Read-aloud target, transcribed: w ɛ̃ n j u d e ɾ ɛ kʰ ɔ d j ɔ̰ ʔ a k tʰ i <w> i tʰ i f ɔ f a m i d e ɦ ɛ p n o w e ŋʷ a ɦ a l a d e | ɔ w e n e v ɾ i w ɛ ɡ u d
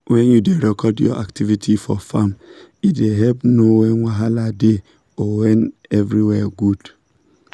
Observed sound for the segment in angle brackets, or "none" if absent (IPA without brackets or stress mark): v